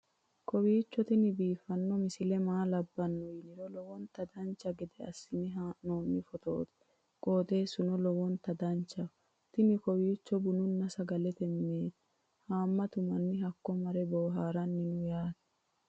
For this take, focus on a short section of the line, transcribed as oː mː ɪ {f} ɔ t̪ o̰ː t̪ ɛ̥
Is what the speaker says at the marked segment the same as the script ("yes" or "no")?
yes